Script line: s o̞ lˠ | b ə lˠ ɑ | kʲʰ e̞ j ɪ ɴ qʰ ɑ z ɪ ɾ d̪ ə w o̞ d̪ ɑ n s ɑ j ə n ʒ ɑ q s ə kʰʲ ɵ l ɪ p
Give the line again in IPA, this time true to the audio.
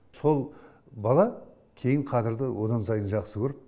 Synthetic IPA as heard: s o̞ lˠ | b ɑ lˠ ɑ | kʲʰ e̞ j ɪ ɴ qʰ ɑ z ɪ ɾ d̪ ə w o̞ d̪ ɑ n s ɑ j ə n ʒ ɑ q s ə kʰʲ ɵ ɾ ɪ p

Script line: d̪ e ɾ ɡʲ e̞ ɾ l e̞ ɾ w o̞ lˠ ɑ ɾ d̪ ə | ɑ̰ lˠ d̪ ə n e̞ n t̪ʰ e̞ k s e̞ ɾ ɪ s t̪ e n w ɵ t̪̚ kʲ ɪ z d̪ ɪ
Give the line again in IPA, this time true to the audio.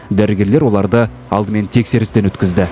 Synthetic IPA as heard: d̪ æ ɾ ɡʲ e̞ ɾ l e̞ ɾ w o̞ lˠ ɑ ɾ d̪ ə | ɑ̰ lˠ d̪ ə m e̞ n t̪ʰ e̞ k s e̞ ɾ ɪ s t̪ e n w ɵ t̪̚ kʲ ɪ z d̪ ɪ

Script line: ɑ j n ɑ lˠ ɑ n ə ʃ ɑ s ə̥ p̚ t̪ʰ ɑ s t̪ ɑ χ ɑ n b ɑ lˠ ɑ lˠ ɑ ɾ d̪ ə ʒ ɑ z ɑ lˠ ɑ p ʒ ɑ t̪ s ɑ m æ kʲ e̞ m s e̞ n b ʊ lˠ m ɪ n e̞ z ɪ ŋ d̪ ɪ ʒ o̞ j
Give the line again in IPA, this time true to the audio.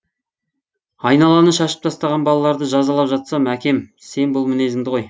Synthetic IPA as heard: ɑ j n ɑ lˠ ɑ n ə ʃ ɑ ʃ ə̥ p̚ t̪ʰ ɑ s t̪ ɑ ʁ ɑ n b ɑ lˠ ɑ lˠ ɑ ɾ d̪ ə ʒ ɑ z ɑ lˠ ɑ p ʒ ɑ t̪ s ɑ m æ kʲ e̞ m s e̞ n b ʊ lˠ m ɪ n e̞ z ɪ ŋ d̪ ɪ ʁ o̞ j

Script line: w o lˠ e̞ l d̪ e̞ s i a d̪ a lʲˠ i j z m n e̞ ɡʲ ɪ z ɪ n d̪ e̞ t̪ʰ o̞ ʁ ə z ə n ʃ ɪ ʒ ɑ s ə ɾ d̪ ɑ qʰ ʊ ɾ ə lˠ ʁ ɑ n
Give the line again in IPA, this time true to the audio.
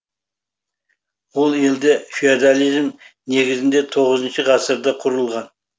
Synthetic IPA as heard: w o lˠ e̞ l d̪ e̞ f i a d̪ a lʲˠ i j z m n e̞ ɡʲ ɪ z ɪ n d̪ e̞ t̪ʰ o̞ ʁ ə z ə n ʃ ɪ ʁ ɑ s ə ɾ d̪ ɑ qʰ ʊ ɾ ə lˠ ʁ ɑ n

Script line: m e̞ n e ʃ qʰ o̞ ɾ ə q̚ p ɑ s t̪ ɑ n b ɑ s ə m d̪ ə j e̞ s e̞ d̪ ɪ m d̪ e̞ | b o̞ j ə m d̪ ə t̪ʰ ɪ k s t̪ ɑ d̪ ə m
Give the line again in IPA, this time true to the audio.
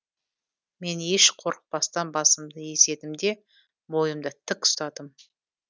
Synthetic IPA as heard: m e̞ n e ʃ qʰ o̞ ɾ ə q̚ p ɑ s t̪ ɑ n b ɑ s ə m d̪ ə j e̞ s e̞ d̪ ɪ m d̪ e̞ | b o̞ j ə m d̪ ə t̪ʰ ɪ k s t̪ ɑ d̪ ə m

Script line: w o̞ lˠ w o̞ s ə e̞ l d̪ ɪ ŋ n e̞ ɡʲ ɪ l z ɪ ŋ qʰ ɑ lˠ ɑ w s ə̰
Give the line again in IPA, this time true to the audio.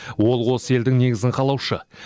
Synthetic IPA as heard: w o̞ lˠ w o̞ s ə e̞ l d̪ ɪ ŋ n e̞ ɡʲ ɪ z ɪ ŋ qʰ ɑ lˠ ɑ w ʃ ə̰

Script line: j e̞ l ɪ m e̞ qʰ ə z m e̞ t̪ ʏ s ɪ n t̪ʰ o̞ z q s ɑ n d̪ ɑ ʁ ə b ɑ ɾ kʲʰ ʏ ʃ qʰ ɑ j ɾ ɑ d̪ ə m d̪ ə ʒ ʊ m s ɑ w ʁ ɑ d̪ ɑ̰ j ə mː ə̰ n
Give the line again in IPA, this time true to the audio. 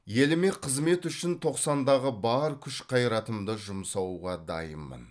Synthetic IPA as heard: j e̞ l ɪ m e̞ qʰ ə z m e̞ t̪ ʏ ʃ ɪ n t̪ʰ o̞ q s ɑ n d̪ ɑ ʁ ə b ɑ ɾ kʲʰ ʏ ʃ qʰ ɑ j ɾ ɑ t̪ ə m d̪ ə ʒ ʊ m s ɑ w ʁ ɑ d̪ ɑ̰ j ə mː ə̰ n

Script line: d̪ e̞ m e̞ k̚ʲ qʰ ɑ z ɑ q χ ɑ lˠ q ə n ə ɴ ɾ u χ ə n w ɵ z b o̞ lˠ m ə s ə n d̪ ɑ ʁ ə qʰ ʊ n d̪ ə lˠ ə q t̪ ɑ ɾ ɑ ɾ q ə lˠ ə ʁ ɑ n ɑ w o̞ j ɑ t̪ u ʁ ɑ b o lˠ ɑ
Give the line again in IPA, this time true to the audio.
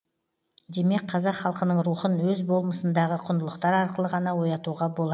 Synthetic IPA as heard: d̪ e̞ m e̞ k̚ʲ qʰ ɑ z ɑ q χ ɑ lˠ q ə n ə ɴ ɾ u χ ə n w ɵ z b o̞ lˠ m ə s ə n d̪ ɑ ʁ ə qʰ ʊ n d̪ ə lˠ ə q t̪ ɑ ɾ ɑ ɾ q ə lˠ ə ʁ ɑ n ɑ w o̞ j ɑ t̪ u ʁ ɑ b o lˠ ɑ

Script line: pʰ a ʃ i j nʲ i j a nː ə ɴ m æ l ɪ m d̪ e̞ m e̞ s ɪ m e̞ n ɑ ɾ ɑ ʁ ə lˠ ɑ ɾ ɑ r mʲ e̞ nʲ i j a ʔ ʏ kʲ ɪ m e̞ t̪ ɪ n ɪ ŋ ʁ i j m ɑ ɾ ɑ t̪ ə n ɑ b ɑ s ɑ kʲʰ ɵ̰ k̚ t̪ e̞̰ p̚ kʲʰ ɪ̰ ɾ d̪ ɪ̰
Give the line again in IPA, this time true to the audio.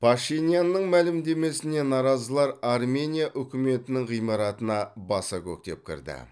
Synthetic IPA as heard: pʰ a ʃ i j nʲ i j a nː ə ɴ m æ l ɪ m d̪ e̞ m e̞ s ɪ n e̞ n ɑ ɾ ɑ z ə lˠ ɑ ɾ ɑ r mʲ e̞ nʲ i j a ʔ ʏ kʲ ɪ m e̞ t̪ ɪ n ɪ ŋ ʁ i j m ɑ ɾ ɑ t̪ ə n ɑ b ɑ s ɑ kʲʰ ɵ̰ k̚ t̪ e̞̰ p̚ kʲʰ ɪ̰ ɾ d̪ ɪ̰

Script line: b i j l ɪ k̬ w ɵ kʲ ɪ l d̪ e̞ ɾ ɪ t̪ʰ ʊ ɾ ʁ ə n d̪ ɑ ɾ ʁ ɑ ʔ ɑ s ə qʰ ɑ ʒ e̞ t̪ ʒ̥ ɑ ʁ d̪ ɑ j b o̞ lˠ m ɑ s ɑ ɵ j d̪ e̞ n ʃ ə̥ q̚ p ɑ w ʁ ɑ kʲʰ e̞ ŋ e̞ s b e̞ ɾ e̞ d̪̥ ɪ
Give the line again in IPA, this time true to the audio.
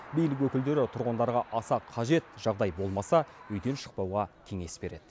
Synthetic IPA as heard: b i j l ɪ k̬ w ɵ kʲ ɪ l d̪ e̞ ɾ ɪ t̪ʰ ʊ ɾ ʁ ə n d̪ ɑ ɾ ʁ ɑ ʔ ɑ s ɑ qʰ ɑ ʒ e̞ t̪ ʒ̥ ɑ ʁ d̪ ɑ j b o̞ lˠ m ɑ s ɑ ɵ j d̪ e̞ n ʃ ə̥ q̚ p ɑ w ʁ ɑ kʲʰ e̞ ŋ e̞ s b e̞ ɾ e̞ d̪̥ ɪ

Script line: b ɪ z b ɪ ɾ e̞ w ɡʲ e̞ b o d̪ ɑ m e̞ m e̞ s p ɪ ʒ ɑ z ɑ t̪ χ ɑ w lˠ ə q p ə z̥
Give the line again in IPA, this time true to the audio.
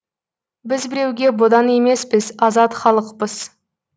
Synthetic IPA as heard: b ɪ z b ɪ ɾ e̞ w ɡʲ e̞ b o d̪ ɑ n e̞ m e̞ s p ɪ z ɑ z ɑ t̪ χ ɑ lˠ ə q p ə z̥

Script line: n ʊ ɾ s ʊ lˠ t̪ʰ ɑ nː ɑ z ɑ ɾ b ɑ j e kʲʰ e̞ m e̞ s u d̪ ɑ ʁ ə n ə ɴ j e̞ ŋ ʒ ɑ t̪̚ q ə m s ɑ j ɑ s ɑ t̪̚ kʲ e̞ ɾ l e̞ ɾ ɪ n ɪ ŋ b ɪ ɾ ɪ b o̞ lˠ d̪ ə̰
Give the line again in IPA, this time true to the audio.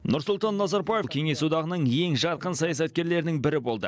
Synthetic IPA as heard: n ʊ ɾ s ʊ lˠ t̪ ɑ nː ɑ z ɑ ɾ b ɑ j e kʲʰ e̞ ŋ e̞ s u d̪ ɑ ʁ ə n ə ɴ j e̞ ŋ ʒ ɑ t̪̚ q ə n s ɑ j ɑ s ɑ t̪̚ kʲ e̞ ɾ l e̞ ɾ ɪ n ɪ ŋ b ɪ ɾ ɪ b o̞ lˠ d̪ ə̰

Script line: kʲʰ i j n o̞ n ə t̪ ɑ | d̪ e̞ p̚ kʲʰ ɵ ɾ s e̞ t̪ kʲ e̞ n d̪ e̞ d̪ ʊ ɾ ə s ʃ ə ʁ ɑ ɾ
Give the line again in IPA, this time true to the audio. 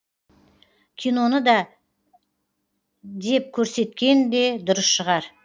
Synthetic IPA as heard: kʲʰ i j n o̞ n ə d̪ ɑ | d̪ e̞ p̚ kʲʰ ɵ ɾ s e̞ t̪ kʲ e̞ n d̪ e̞ d̪ ʊ ɾ ə s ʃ ə ʁ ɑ ɾ

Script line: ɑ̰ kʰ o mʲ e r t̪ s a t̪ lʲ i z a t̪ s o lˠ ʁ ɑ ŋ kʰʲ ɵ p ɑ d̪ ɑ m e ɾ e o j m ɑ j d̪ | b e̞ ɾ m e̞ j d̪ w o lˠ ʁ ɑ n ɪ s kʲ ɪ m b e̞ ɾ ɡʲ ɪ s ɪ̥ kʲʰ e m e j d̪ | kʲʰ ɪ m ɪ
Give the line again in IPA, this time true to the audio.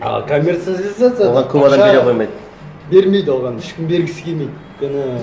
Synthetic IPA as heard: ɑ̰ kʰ o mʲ e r t̪ s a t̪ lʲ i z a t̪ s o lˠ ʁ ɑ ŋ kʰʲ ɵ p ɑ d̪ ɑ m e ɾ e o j m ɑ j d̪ | b e̞ ɾ m e̞ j d̪ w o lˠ ʁ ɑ n ɪ ʃ kʲ ɪ m b e̞ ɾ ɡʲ ɪ s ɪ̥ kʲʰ e m e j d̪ | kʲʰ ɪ n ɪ

